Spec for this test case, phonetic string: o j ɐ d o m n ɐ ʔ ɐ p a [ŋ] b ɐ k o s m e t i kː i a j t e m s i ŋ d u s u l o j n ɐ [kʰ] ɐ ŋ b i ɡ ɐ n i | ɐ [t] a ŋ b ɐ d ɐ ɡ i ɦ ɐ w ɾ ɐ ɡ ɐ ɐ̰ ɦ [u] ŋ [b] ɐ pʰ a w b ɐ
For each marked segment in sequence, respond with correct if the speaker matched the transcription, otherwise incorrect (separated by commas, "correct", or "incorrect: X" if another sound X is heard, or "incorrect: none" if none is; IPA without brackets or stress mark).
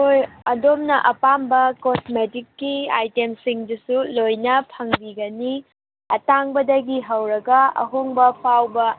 incorrect: m, incorrect: pʰ, correct, incorrect: o, correct